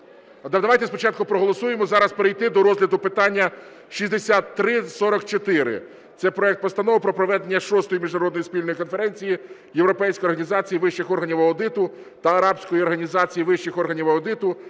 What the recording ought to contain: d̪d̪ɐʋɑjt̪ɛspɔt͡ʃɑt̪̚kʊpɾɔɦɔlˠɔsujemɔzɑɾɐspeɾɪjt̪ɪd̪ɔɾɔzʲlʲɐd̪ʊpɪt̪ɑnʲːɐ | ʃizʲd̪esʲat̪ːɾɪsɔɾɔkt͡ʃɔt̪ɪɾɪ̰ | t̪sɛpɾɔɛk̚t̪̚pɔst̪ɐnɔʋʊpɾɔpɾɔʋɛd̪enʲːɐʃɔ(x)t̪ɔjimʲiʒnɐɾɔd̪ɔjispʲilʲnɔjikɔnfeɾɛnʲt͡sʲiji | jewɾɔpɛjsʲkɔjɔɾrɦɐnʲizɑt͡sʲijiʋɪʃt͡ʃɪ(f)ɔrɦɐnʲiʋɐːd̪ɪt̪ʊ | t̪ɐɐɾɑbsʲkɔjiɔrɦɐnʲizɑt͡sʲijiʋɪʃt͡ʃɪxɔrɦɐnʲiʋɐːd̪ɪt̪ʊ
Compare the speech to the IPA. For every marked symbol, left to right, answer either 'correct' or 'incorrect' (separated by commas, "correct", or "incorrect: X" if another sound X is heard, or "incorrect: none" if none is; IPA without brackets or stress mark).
incorrect: s, incorrect: x